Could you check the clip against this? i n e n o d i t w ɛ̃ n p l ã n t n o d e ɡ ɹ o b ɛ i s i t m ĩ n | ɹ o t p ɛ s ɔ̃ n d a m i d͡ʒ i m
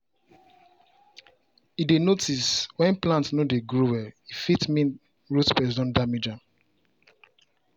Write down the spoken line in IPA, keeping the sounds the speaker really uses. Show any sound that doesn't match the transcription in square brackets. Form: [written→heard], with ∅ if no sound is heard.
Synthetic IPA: i [n→d] e n o [d→t] i [t→s] w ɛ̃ n p l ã n t n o d e ɡ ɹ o [b→w] ɛ i [s→f] i t m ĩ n | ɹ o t p ɛ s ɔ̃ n d a m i d͡ʒ [i→a] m